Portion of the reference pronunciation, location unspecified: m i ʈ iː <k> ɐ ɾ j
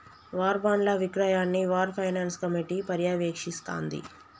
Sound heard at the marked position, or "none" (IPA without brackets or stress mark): p